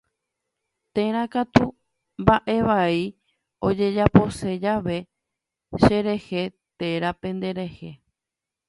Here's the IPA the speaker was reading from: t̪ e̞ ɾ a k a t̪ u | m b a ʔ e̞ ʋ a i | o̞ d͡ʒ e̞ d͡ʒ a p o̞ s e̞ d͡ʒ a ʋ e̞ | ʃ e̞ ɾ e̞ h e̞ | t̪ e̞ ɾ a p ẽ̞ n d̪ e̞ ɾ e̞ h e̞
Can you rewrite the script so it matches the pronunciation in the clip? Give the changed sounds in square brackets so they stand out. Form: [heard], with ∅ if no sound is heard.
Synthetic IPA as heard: t̪ e̞ ɾ a k a t̪ u | m b a ʔ e̞ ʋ a i | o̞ d͡ʒ e̞ d͡ʒ a p o̞ s e̞ d͡ʒ a ʋ e̞ | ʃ e̞ ɾ e̞ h e̞ | t̪ e̞ ɾ a p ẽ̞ n d̪ e̞ ɾ e̞ h e̞